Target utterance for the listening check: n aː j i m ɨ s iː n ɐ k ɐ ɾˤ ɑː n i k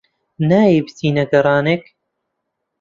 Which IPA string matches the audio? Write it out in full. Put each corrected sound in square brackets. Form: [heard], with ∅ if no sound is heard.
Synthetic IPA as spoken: n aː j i [b] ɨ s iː n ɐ [ɡ] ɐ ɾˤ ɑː n [e] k